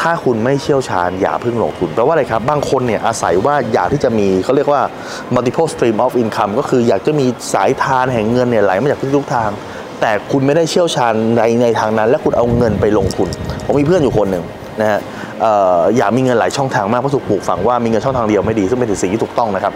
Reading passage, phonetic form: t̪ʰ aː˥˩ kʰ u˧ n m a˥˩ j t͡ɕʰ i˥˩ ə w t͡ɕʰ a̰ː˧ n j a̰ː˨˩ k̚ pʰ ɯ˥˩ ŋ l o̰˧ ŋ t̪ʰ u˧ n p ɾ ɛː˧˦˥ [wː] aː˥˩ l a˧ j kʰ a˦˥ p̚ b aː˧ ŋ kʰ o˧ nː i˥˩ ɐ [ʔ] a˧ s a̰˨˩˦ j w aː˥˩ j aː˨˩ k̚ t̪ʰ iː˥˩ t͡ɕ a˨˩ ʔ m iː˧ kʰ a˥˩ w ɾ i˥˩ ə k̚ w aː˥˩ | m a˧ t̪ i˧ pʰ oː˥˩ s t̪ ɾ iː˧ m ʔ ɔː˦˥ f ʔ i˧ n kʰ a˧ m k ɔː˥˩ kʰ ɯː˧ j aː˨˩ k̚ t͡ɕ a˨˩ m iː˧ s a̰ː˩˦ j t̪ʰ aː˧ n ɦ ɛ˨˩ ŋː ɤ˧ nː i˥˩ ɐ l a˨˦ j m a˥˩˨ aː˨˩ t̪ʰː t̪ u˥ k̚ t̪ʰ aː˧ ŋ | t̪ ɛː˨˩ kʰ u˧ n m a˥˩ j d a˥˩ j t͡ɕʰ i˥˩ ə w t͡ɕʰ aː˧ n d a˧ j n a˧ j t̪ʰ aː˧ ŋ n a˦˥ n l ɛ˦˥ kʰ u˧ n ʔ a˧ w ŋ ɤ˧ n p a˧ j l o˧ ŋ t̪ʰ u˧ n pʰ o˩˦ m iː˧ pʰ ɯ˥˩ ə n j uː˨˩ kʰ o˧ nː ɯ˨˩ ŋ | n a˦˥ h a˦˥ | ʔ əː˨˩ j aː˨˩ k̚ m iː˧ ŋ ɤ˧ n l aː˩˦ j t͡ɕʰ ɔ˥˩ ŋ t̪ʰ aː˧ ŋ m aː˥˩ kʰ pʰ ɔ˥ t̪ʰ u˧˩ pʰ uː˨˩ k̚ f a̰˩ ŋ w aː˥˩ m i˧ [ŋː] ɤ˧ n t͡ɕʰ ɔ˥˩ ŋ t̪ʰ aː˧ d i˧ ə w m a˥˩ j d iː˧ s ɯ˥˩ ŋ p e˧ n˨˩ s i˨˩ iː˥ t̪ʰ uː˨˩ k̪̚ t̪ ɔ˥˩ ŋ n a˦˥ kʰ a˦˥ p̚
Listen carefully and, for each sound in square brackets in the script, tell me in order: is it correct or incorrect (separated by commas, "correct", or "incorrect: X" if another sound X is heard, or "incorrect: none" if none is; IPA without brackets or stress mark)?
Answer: incorrect: w, correct, incorrect: ŋ